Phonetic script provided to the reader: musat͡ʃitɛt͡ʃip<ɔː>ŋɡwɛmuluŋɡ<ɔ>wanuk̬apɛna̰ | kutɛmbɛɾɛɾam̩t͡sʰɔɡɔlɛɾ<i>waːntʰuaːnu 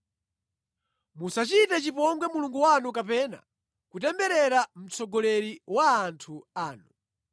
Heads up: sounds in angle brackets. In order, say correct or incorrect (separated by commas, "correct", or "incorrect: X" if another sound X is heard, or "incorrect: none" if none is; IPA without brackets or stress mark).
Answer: incorrect: ɔ, incorrect: u, correct